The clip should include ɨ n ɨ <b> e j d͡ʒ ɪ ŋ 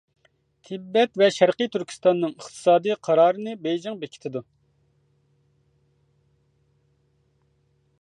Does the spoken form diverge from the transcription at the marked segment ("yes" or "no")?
no